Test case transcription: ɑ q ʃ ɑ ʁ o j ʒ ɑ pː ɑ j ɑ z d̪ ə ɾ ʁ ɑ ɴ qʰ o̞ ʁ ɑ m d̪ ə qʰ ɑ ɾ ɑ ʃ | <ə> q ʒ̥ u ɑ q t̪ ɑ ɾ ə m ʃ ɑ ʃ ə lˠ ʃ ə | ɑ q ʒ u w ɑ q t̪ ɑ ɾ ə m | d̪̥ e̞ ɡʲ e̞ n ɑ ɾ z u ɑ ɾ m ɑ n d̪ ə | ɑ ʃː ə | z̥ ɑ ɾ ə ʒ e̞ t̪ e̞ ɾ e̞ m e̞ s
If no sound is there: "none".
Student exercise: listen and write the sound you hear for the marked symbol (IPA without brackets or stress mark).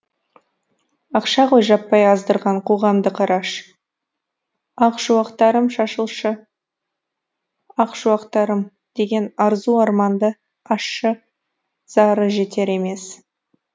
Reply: ɑ